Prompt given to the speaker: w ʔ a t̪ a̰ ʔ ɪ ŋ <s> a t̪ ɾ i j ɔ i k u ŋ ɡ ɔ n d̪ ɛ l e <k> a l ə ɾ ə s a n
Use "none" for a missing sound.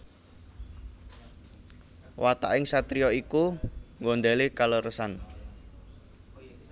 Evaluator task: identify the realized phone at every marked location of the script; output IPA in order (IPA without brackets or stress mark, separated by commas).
s, k